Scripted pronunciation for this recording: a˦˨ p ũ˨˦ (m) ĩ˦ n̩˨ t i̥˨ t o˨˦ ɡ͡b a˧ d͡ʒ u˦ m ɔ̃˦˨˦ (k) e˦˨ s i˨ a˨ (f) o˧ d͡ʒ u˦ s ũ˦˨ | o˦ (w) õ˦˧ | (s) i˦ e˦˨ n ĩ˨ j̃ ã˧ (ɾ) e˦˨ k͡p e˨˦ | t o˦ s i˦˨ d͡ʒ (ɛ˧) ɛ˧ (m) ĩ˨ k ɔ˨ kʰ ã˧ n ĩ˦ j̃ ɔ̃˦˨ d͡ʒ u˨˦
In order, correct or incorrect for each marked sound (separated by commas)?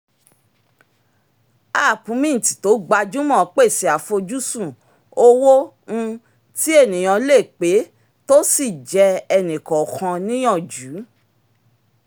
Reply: correct, incorrect, correct, correct, incorrect, incorrect, correct, incorrect